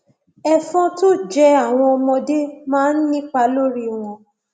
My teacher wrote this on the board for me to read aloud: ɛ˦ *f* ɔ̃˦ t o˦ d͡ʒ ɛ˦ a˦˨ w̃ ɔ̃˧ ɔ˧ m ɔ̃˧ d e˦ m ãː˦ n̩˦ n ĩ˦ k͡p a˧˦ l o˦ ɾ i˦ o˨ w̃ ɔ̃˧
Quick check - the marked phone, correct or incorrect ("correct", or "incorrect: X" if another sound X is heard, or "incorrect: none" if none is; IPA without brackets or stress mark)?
correct